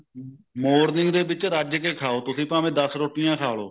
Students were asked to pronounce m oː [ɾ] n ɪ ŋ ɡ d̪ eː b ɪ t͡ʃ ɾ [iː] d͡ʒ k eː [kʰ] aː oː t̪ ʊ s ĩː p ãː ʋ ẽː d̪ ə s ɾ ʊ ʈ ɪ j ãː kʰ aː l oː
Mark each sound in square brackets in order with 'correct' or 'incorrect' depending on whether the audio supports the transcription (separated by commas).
correct, incorrect, correct